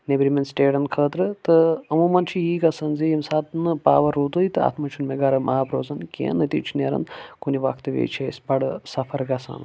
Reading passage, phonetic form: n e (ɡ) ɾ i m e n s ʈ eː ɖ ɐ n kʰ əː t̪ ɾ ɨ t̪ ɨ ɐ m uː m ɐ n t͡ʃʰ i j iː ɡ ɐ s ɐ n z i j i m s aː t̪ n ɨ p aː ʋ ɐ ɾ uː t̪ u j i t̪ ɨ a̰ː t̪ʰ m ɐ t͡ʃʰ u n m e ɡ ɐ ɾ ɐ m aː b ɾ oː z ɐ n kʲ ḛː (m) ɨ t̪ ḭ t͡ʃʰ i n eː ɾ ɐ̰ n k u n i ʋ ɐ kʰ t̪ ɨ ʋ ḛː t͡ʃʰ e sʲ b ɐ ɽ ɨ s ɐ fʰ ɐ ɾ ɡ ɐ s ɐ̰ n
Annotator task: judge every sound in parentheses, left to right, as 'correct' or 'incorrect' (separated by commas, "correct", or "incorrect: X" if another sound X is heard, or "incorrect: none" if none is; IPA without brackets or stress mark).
incorrect: b, incorrect: n